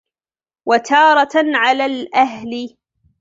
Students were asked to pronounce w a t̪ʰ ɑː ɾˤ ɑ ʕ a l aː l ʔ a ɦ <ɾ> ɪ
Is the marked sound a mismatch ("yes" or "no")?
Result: yes